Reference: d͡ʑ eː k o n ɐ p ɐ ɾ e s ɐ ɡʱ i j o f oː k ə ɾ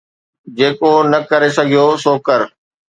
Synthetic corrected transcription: d͡ʑ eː k o n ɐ k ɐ ɾ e s ɐ ɡʱ i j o s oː k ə ɾ